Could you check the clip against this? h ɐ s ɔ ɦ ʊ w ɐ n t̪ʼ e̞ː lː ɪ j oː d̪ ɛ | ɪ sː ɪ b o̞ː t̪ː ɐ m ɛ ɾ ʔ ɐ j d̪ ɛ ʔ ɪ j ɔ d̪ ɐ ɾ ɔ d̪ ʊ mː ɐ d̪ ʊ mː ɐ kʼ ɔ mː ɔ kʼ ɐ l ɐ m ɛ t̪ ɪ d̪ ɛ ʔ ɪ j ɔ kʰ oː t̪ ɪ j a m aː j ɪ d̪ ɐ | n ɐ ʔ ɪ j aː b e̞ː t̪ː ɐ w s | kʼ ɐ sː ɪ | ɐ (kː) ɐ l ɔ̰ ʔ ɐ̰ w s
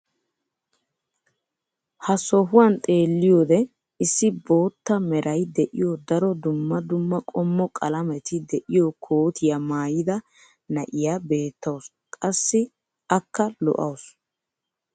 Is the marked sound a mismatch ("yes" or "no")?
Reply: no